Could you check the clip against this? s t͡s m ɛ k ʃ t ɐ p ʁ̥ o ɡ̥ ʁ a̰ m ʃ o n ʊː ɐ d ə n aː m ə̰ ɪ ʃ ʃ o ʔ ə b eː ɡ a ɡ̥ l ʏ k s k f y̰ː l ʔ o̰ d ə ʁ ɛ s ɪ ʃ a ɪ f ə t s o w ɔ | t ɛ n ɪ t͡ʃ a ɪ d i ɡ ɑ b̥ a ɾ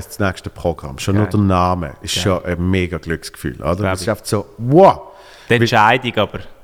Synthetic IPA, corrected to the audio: s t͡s n ɛ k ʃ t ə p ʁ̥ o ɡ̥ ʁ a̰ m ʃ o n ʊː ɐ d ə n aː m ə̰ ɪ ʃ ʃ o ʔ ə m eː ɡ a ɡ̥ l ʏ k s k f y̰ː l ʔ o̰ d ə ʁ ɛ s ɪ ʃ a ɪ f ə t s o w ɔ | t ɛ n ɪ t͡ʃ a ɪ d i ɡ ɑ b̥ ə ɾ